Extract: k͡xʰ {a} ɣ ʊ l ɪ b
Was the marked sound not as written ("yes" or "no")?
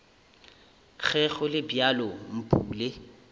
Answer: yes